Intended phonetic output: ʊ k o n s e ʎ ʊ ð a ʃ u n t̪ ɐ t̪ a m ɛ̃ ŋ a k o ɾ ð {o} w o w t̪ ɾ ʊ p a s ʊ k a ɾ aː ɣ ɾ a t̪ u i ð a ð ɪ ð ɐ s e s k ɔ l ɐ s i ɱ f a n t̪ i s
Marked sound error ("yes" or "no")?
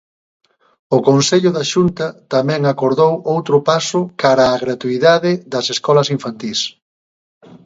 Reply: no